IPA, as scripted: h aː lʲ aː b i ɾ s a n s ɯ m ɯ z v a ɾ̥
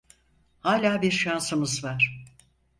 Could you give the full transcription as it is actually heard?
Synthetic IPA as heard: h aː lʲ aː b i ɾ ʃ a n s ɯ m ɯ z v a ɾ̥

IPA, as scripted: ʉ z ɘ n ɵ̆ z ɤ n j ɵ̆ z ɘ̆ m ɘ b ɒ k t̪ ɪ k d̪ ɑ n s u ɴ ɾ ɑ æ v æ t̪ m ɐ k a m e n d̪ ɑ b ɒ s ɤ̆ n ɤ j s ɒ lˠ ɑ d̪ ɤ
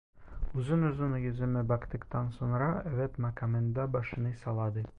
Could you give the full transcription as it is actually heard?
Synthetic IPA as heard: ʉ z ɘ n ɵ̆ z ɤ n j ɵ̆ z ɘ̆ m ɘ b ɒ k t̪ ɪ k t̪ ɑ n s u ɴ ɾ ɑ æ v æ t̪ m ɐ k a m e n d̪ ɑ b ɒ ʃ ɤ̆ n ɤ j s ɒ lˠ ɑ d̪ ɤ

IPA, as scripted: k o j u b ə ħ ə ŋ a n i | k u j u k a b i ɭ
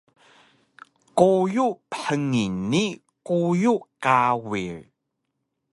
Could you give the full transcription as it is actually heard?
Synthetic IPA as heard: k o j u p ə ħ ə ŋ i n i | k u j u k a w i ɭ

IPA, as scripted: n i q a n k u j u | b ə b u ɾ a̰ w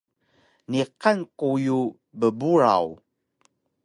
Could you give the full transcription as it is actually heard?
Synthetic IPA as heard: n i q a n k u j u | b ə b u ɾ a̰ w

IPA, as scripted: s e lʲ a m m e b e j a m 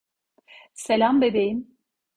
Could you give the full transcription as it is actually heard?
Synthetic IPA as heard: s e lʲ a m b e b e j i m

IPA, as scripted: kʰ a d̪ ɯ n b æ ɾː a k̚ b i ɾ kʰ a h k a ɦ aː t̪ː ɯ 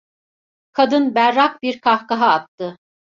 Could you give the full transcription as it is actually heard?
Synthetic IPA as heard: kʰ a d̪ ɯ n b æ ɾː a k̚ b i ɾ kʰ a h k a ɦ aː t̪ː ɯ

